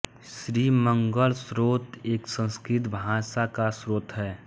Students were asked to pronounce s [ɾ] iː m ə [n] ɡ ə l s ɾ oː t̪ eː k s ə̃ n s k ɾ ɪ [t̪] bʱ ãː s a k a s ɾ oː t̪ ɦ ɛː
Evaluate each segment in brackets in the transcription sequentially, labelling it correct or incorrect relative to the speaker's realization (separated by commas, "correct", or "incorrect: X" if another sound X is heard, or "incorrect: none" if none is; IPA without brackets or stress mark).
correct, incorrect: ŋ, correct